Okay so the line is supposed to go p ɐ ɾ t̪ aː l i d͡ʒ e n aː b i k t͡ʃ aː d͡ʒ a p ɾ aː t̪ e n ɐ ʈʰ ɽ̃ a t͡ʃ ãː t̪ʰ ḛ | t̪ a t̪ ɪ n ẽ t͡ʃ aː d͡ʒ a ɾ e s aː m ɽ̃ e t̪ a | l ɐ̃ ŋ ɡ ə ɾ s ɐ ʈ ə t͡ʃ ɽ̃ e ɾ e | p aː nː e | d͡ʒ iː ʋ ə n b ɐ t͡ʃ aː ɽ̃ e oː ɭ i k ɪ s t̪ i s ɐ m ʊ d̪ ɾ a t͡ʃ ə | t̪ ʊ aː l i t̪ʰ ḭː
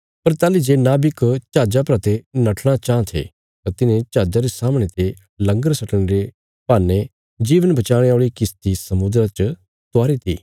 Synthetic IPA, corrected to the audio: p ɐ ɾ t̪ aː l i d͡ʒ e n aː b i k t͡ʃ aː d͡ʒ a p ɾ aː t̪ e n ɐ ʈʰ ɽ̃ a t͡ʃ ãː t̪ʰ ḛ | t̪ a t̪ ɪ n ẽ t͡ʃ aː d͡ʒ a ɾ e s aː m ɽ̃ e t̪ e | l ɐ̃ ŋ ɡ ə ɾ s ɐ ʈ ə ɽ̃ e ɾ e | p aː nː e | d͡ʒ iː ʋ ə n b ɐ t͡ʃ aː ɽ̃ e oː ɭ i k ɪ s t̪ i s ɐ m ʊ d̪ ɾ a t͡ʃ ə | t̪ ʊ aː ɾ i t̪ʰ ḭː

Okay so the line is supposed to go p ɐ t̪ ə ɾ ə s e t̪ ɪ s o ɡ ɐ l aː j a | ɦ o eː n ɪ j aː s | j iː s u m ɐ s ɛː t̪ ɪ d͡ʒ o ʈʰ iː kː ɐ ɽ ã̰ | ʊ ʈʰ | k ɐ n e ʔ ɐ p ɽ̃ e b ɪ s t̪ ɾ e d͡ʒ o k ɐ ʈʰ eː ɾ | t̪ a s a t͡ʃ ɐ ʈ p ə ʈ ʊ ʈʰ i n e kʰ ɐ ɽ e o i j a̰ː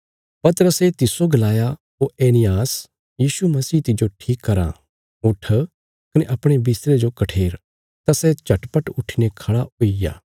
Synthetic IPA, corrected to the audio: p ɐ t̪ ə ɾ ə s e t̪ ɪ s o ɡ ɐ l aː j a | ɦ o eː n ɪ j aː s | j iː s u m ɐ s iː t̪ ɪ d͡ʒ o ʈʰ iː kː ɐ ɾ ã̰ | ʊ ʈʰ | k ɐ n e ʔ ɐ p ɽ̃ e b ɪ s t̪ ɾ e d͡ʒ o k ɐ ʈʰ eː ɾ | t̪ a s ɛ t͡ʃ ɐ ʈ p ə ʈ ʊ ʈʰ i n e kʰ ɐ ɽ a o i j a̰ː

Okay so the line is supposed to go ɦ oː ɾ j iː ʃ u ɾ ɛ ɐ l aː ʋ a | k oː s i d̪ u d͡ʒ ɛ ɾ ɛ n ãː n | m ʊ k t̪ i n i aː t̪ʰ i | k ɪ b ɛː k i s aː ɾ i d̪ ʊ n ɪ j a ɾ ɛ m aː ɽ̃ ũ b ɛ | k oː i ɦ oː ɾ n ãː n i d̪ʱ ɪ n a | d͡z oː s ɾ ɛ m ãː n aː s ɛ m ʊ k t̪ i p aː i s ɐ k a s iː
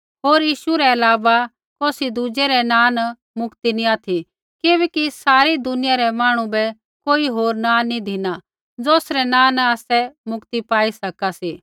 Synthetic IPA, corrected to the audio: ɦ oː ɾ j iː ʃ u ɾ ɛ ɐ l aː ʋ a | k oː s i d̪ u d͡ʒ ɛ ɾ ɛ n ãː n | m ʊ k t̪ i n i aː t̪ʰ i | k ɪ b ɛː k i s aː ɾ i d̪ ʊ n ɪ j a ɾ ɛ m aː ɽ̃ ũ b ɛ | k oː i ɦ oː ɾ n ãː n i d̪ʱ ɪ n a | d͡z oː s ɾ ɛ n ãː n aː s ɛ m ʊ k t̪ i p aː i s ɐ k a s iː

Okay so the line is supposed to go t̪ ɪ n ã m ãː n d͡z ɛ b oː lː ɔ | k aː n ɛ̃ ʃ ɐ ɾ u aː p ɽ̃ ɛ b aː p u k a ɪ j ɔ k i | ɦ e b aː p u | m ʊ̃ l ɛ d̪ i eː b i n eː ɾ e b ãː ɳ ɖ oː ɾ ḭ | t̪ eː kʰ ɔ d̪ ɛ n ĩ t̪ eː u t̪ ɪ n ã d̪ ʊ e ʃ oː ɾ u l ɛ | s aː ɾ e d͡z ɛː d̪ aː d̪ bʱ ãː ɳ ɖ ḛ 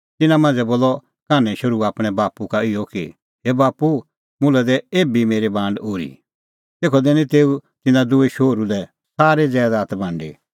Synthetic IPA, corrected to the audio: t̪ ɪ n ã m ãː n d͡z ɛ b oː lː ɔ | k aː n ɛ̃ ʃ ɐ ɾ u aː p ɽ̃ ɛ b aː p u k a ɪ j ɔ k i | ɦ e b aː p u | m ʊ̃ l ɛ d̪ ɛ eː b i m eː ɾ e b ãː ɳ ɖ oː ɾ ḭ | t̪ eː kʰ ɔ d̪ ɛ n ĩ t̪ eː u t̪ ɪ n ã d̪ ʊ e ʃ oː ɾ u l ɛ | s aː ɾ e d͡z ɛː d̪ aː t̪ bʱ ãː ɳ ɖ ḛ

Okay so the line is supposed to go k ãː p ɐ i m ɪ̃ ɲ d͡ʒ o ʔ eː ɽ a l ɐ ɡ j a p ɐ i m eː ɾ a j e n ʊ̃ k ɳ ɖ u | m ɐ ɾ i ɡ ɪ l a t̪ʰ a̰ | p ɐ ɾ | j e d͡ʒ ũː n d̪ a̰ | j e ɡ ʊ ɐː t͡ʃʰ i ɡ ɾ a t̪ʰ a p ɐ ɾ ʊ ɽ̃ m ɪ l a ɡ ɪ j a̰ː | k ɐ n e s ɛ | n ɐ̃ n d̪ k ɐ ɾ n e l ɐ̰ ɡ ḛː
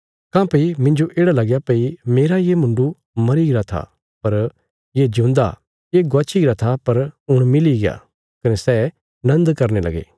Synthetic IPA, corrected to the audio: k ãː p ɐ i m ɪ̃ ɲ d͡ʒ o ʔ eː ɽ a l ɐ ɡ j a p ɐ i m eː ɾ a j e m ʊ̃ ɳ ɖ u | m ɐ ɾ i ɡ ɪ ɾ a t̪ʰ a̰ | p ɐ ɾ | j e d͡ʒ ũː n d̪ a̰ | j e ɡ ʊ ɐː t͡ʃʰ i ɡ ɾ a t̪ʰ a p ɐ ɾ ʊ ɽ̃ m ɪ l i ɡ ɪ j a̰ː | k ɐ n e s ɛ | n ɐ̃ n d̪ k ɐ ɾ n e l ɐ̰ ɡ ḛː

